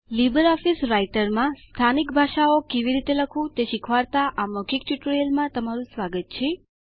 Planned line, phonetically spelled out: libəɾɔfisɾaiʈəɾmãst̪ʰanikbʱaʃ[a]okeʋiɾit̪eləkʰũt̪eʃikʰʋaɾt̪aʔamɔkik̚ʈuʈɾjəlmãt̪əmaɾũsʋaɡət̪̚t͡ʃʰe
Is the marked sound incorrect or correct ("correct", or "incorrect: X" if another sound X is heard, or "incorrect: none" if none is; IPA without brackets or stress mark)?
correct